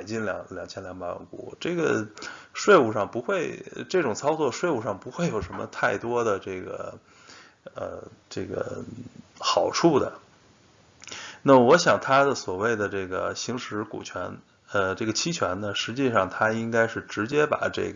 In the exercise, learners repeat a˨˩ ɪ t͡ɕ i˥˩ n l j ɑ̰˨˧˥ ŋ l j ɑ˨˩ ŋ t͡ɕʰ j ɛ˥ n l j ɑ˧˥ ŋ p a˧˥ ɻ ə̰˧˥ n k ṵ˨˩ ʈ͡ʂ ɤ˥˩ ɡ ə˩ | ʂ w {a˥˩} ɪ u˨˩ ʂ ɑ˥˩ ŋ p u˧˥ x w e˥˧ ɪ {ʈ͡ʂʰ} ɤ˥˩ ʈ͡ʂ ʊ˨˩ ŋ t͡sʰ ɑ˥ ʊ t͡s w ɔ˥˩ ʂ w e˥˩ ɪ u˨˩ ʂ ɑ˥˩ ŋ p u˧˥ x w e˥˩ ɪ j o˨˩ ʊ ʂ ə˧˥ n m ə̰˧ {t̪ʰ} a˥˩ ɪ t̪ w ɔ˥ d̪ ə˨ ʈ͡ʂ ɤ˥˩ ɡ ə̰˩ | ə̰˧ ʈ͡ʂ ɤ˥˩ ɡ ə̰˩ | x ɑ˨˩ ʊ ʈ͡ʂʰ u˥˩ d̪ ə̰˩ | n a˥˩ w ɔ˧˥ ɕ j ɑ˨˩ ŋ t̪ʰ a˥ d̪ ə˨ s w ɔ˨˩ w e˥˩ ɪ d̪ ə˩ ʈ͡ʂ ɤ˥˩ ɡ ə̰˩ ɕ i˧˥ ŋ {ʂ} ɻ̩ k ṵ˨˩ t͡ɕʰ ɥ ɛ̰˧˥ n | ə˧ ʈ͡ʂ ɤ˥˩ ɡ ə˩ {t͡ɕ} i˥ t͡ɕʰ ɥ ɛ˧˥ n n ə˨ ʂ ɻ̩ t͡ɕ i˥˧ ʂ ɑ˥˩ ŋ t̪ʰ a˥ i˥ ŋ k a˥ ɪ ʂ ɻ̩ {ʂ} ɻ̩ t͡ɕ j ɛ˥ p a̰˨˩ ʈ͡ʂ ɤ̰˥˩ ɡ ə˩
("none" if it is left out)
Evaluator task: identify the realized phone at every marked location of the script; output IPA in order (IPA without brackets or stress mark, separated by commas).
e˥˩, ʈ͡ʂ, t̪ʰ, ʂ, t͡ɕʰ, ʈ͡ʂ